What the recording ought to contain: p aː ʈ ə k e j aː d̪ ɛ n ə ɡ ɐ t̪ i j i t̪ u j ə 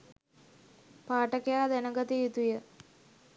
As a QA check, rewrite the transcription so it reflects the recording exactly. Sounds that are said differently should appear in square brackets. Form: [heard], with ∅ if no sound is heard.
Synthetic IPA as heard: p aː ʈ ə k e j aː d̪ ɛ n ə ɡ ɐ t̪ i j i t̪ u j ə